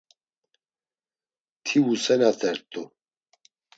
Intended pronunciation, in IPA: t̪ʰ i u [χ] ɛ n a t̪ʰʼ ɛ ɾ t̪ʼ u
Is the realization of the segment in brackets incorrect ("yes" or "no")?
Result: yes